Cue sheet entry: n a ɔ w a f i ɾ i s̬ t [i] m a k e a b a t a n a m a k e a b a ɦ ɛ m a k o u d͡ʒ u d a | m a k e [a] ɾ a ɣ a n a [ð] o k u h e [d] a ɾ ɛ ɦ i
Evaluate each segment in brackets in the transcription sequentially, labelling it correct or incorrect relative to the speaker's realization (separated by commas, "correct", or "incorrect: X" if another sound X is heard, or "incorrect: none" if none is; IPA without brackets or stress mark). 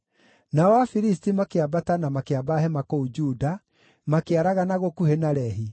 correct, correct, incorrect: ɣ, incorrect: n